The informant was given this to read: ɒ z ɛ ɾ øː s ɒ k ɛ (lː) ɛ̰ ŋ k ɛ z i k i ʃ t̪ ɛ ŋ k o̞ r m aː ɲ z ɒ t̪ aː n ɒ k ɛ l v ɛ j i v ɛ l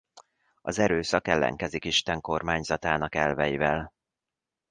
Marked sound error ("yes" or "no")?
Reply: no